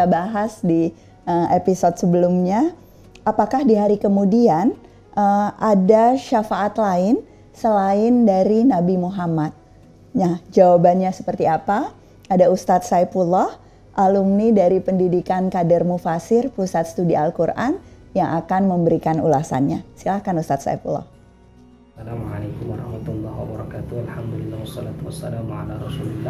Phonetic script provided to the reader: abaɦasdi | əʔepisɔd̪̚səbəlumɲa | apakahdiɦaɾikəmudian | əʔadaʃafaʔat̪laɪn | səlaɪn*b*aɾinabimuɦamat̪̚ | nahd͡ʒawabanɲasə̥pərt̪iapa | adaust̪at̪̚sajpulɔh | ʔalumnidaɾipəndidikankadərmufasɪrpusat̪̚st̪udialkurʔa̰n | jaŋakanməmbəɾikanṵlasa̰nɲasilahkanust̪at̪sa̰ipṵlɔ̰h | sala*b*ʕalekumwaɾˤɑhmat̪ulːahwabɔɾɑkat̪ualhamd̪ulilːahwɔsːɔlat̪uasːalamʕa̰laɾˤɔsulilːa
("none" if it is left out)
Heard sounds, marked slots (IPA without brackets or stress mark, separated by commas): d, m